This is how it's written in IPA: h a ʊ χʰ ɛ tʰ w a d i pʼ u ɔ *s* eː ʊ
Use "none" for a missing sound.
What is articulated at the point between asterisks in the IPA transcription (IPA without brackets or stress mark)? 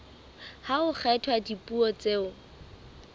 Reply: t͡s